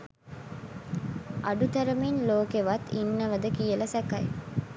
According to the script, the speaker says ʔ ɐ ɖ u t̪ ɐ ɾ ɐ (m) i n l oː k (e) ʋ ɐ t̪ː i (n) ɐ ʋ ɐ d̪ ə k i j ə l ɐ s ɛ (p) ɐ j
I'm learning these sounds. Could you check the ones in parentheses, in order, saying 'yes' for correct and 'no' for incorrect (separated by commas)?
yes, yes, no, no